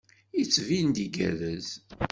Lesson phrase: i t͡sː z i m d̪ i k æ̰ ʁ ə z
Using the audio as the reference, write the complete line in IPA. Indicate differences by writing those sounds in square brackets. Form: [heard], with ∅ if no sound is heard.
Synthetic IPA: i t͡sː [v] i [n] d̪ i [ɡ] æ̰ [ð] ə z